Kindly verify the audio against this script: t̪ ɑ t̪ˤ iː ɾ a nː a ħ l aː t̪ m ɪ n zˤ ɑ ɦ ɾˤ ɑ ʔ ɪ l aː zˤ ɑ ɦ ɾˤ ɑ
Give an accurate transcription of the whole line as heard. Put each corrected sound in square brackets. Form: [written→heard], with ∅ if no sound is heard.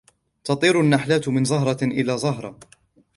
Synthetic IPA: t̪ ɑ t̪ˤ iː ɾ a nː a ħ l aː t̪ m ɪ n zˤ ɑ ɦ ɾˤ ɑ ʔ ɪ l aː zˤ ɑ ɦ ɾˤ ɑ